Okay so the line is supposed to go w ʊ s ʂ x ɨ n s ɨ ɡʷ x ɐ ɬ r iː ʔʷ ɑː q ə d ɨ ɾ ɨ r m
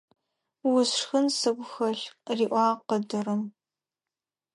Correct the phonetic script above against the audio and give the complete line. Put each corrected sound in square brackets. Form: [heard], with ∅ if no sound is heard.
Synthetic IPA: w ʊ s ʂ x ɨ n s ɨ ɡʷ x ɐ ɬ r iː ʔʷ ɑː q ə d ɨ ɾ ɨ [∅] m